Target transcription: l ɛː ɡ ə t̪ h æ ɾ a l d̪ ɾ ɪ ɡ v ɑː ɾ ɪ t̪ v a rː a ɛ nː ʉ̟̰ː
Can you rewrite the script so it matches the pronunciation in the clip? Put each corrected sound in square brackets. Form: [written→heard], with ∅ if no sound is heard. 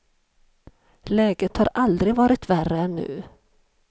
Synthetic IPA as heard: l ɛː ɡ ə t̪ h [æ→a] ɾ a l d̪ ɾ ɪ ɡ v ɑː ɾ ɪ t̪ v [a→æ] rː [a→ə] ɛ nː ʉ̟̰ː